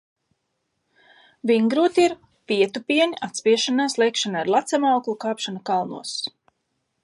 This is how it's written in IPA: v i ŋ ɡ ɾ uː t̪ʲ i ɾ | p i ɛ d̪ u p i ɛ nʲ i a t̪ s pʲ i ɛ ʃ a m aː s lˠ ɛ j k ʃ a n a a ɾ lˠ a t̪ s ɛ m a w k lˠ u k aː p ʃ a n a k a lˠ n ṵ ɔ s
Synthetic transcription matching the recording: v i ŋ ɡ ɾ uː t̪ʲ i ɾ | p i ɛ t̪ u p i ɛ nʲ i a t̪ s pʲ i ɛ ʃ a n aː s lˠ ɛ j k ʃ a n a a ɾ lˠ a t̪ s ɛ m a w k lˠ u k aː p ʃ a n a k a lˠ n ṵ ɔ s